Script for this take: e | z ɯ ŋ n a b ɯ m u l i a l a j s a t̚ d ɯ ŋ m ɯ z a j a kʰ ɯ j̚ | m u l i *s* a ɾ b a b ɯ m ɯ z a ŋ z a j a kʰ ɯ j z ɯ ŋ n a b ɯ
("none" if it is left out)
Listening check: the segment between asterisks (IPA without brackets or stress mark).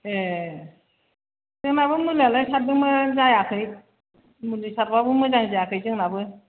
s